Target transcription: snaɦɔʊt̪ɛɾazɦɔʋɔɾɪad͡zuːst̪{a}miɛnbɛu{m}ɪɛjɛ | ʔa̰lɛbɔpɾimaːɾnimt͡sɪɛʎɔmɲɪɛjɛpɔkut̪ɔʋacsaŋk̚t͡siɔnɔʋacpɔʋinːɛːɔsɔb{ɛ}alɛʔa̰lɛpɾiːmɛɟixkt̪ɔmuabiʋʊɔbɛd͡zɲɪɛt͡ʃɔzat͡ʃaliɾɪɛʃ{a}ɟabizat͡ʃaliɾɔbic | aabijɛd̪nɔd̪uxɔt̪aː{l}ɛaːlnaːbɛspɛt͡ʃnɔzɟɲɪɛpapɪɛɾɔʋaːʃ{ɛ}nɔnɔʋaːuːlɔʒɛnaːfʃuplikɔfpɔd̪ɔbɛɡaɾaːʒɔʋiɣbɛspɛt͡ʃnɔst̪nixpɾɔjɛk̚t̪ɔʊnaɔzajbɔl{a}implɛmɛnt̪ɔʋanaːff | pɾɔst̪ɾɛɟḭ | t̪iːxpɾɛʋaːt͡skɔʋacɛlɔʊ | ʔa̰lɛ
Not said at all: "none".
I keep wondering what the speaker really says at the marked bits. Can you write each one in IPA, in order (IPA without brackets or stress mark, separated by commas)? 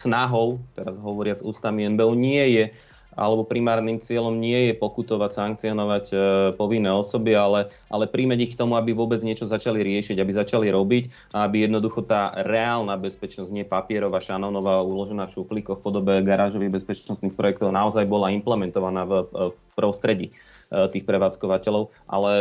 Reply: a, ɲ, i, i, ɾ, a, a